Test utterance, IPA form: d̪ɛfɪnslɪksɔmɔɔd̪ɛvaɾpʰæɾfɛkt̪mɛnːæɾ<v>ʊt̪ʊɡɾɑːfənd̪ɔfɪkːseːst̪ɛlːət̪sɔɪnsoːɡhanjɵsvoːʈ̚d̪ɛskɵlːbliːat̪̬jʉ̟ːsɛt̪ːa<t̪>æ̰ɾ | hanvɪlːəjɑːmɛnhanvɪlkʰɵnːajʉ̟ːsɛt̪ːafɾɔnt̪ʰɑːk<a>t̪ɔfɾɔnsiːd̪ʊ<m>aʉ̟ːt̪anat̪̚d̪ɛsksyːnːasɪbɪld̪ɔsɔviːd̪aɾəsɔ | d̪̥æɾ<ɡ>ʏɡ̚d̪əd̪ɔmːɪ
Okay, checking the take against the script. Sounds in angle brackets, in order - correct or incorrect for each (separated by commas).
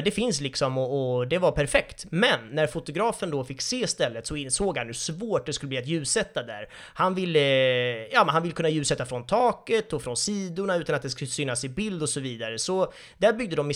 incorrect, incorrect, incorrect, incorrect, incorrect